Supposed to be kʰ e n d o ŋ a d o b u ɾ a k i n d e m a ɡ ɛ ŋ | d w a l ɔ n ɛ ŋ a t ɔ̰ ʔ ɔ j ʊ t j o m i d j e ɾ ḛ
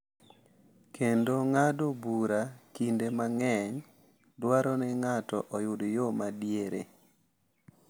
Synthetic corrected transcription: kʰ e n d o ŋ a d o b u ɾ a k i n d e m a ŋ ɛ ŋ | d w a ɾ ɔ n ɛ ŋ a t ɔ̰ ʔ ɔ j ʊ d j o m a d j e ɾ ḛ

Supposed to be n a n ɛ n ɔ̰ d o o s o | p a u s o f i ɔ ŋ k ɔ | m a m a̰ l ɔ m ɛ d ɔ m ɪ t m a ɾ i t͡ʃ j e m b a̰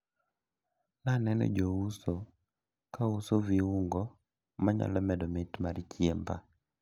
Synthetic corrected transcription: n a n ɛ n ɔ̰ d͡ʒ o u s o | k a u s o v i u ŋ ɡ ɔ | m a ɲ a̰ l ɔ m ɛ d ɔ m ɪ t m a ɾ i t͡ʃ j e m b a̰

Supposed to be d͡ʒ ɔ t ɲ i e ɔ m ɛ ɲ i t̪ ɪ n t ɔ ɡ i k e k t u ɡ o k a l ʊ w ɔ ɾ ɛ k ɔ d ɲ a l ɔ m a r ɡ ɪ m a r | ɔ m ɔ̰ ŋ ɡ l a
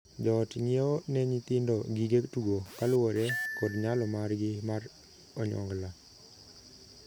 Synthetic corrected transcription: d͡ʒ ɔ t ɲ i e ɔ n ɛ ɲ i t̪ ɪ n d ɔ ɡ i ɡ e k t u ɡ o k a l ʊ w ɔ ɾ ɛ k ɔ d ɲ a l ɔ m a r ɡ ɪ m a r | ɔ ɲ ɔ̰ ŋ ɡ l a

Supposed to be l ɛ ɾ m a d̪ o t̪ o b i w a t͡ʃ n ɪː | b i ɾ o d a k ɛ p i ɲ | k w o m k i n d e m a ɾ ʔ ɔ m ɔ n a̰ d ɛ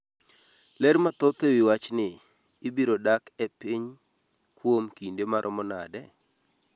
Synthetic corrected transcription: l ɛ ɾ m a t̪ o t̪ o w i w a t͡ʃ n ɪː | b i ɾ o d a k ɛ p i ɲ | k w o m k i n d e m a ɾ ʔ ɔ m ɔ n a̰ d ɛ

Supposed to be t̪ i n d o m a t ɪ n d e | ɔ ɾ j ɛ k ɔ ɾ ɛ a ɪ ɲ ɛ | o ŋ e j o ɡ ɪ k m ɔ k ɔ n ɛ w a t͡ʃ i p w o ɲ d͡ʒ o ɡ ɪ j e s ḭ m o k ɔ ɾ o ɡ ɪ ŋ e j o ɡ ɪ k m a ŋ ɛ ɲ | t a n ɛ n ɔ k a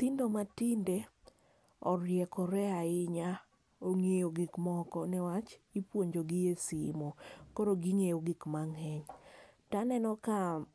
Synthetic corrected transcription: t̪ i n d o m a t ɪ n d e | ɔ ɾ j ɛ k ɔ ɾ ɛ a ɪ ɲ a | o ŋ e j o ɡ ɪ k m ɔ k ɔ n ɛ w a t͡ʃ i p w o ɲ d͡ʒ o ɡ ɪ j e s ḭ m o k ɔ ɾ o ɡ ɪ ŋ e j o ɡ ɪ k m a ŋ ɛ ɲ | t a n ɛ n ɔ k a

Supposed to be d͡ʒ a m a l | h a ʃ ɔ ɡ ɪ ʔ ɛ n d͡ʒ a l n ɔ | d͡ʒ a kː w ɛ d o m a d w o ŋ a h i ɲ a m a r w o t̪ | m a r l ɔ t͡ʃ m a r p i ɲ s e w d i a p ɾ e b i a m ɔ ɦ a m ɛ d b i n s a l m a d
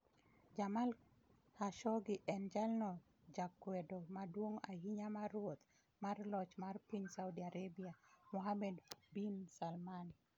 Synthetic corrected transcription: d͡ʒ a m a l | h a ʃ ɔ ɡ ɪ ʔ ɛ n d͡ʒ a l n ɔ | d͡ʒ a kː w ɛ d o m a d w o ŋ a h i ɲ a m a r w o t̪ | m a r l ɔ t͡ʃ m a r p i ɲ s a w d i a ɾ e b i a m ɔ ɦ a m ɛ d b i n s a l m a n

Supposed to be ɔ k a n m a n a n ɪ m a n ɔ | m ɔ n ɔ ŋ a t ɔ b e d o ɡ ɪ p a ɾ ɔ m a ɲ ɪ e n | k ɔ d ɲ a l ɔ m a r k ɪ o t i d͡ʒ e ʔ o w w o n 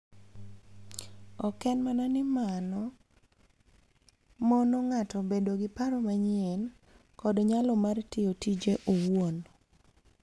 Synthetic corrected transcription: ɔ k ɛ n m a n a n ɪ m a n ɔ | m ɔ n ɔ ŋ a t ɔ b e d o ɡ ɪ p a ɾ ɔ m a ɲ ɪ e n | k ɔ d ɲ a l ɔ m a r t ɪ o t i d͡ʒ e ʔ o w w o n

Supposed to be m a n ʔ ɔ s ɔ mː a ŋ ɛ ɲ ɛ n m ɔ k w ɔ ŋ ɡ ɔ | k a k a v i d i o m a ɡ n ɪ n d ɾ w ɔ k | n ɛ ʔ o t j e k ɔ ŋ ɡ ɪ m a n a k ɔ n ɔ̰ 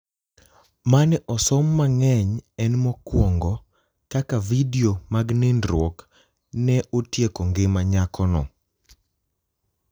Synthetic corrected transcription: m a n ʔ ɔ s ɔ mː a ŋ ɛ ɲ ɛ n m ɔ k w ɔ ŋ ɡ ɔ | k a k a v i d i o m a ɡ n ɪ n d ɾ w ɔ k | n ɛ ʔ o t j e k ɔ ŋ ɡ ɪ m a ɲ a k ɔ n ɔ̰

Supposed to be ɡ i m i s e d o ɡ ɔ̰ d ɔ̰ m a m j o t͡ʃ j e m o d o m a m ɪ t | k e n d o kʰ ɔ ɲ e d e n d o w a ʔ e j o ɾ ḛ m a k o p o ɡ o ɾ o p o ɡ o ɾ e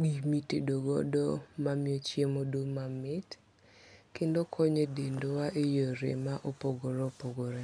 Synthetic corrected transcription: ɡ i m i t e d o ɡ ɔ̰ d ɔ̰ m a m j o t͡ʃ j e m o d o m a m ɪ t | k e n d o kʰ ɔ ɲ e d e n d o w a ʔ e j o ɾ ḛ m a ʔ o p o ɡ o ɾ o p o ɡ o ɾ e

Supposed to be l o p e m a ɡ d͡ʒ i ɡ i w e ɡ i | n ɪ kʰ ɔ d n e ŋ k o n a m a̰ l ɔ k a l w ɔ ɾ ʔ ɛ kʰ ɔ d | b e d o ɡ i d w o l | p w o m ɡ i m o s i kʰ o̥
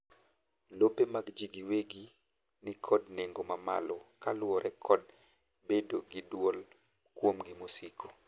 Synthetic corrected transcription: l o p e m a ɡ d͡ʒ i ɡ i w e ɡ i | n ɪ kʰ ɔ d n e ŋ ɡ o m a m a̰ l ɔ k a l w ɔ ɾ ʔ ɛ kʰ ɔ d | b e d o ɡ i d w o l | k w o m ɡ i m o s i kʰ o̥

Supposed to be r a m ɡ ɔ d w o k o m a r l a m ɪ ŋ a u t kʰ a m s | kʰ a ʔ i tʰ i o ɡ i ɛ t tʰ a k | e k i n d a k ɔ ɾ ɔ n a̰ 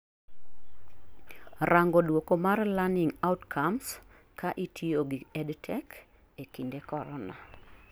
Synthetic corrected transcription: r a ŋ ɡ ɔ d w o k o m a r l a n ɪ ŋ a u t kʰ a m s | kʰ a ʔ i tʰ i o ɡ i ɛ d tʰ ɛ k | e k i n d e k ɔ ɾ ɔ n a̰

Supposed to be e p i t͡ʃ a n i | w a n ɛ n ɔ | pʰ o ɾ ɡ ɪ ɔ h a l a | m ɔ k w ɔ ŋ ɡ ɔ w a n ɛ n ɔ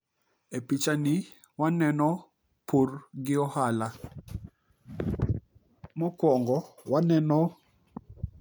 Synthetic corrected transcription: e p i t͡ʃ a n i | w a n ɛ n ɔ | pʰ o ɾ ɡ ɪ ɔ h a l a | m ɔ k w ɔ ŋ ɡ ɔ w a n ɛ n ɔ

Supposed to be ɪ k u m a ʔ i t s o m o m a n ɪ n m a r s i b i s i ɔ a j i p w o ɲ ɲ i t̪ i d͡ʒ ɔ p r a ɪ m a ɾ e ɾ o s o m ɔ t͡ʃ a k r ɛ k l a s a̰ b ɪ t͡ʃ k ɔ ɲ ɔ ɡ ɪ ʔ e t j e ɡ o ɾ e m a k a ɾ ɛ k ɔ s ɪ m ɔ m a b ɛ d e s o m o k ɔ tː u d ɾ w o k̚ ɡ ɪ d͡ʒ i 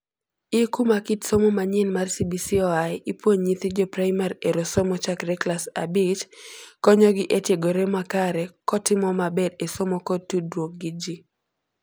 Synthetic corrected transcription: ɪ k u m a k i t s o m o m a ɲ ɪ n m a r s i b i s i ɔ a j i p w o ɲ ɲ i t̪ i d͡ʒ ɔ p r a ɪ m a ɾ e ɾ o s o m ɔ t͡ʃ a k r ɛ k l a s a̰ b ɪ t͡ʃ k ɔ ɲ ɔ ɡ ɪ ʔ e t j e ɡ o ɾ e m a k a ɾ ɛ k ɔ t ɪ m ɔ m a b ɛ d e s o m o k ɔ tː u d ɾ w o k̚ ɡ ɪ d͡ʒ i

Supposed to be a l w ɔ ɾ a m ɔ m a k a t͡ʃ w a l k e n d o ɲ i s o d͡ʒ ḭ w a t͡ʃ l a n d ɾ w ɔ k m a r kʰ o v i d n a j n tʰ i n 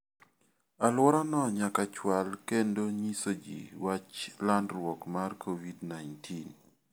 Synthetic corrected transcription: a l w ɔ ɾ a n ɔ ɲ a k a t͡ʃ w a l k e n d o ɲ i s o d͡ʒ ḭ w a t͡ʃ l a n d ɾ w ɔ k m a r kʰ o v i d n a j n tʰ i n

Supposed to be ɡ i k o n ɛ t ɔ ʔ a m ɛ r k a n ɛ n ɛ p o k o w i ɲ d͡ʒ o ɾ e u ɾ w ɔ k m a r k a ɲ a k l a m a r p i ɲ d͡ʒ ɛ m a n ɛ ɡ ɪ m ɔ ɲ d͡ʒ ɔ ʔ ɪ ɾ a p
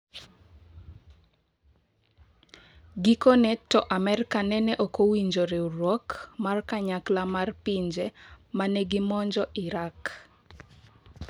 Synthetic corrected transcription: ɡ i k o n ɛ t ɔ ʔ a m ɛ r k a n ɛ n ɛ ʔ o k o w i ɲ d͡ʒ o ɾ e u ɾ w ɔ k m a r k a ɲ a k l a m a r p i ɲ d͡ʒ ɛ m a n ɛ ɡ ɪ m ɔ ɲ d͡ʒ ɔ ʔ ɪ ɾ a k

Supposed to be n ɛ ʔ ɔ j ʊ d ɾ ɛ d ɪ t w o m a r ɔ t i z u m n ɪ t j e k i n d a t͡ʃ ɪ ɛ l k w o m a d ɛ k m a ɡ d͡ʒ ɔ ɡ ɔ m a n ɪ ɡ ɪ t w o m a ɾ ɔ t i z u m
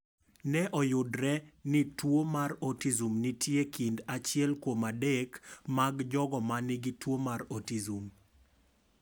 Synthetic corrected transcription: n ɛ ʔ ɔ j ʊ d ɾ ɛ n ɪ t w o m a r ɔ t i z u m n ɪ t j e k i n d a t͡ʃ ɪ ɛ l k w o m a d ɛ k m a ɡ d͡ʒ ɔ ɡ ɔ m a n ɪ ɡ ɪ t w o m a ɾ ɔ t i z u m

